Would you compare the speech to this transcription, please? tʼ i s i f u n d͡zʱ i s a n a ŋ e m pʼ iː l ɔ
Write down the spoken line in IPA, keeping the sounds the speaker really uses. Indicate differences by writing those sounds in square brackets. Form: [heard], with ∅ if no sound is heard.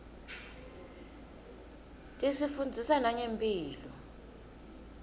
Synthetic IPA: tʼ i s i f u n d͡zʱ i s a n a [ɲ] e m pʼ iː l ɔ